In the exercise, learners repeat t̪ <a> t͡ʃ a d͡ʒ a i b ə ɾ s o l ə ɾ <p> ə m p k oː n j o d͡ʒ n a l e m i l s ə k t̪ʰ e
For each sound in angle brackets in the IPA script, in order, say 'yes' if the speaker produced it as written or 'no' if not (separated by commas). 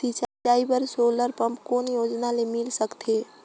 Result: no, yes